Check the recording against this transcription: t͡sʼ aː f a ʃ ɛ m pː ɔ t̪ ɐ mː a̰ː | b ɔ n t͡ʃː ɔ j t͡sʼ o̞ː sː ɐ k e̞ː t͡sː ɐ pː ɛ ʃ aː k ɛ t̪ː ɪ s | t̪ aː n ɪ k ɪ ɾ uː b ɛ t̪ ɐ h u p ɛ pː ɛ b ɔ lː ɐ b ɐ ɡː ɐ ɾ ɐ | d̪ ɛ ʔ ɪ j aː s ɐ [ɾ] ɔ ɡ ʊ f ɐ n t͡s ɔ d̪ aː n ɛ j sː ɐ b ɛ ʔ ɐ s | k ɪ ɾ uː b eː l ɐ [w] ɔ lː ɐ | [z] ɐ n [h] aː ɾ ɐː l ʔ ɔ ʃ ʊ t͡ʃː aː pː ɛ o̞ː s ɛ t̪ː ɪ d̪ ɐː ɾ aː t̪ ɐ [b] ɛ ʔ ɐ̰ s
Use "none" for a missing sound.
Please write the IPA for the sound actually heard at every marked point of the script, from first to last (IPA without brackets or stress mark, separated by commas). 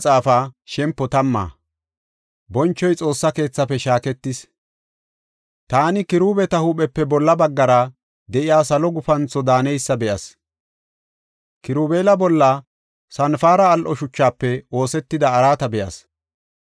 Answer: l, b, s, f, b